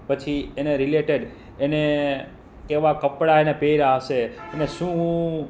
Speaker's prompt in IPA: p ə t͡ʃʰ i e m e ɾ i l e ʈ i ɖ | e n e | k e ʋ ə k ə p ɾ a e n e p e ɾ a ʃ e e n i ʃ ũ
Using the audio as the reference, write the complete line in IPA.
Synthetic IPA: p ə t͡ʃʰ i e n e ɾ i l e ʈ e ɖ | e n e | k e ʋ a k ə p ɽ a e n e p e ɾ a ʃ e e n e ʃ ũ